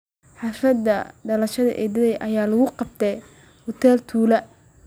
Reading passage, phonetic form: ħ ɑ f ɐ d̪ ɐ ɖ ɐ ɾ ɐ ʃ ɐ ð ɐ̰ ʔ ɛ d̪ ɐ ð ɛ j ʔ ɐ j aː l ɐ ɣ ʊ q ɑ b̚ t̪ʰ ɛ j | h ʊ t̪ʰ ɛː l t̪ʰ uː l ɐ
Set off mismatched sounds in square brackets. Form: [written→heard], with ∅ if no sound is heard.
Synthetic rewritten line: ħ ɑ f ɐ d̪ ɐ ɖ ɐ [ɾ→l] ɐ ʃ ɐ ð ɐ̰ ʔ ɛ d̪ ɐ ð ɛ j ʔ ɐ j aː l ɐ ɣ ʊ q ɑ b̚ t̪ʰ ɛ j | h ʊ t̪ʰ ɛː l t̪ʰ uː l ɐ